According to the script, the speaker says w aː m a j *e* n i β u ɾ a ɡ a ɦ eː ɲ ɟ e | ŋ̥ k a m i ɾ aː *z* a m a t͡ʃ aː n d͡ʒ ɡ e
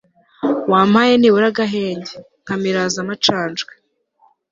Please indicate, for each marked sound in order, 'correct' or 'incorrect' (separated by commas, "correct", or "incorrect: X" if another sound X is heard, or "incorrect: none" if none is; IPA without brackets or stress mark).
correct, correct